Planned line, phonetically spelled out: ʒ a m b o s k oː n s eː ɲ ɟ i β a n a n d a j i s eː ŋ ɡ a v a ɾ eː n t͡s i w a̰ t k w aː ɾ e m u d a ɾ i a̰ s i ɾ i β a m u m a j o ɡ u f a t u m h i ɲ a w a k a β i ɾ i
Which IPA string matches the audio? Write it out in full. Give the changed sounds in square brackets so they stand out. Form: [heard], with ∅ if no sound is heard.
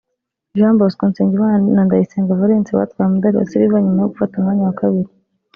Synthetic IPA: ʒ a m b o s k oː n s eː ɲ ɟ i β a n a n d a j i s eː ŋ ɡ a v a ɾ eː n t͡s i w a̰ t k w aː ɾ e m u d a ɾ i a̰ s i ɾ i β a [ɲ] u m a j o ɡ u f a t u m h [a] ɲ a w a k a β i ɾ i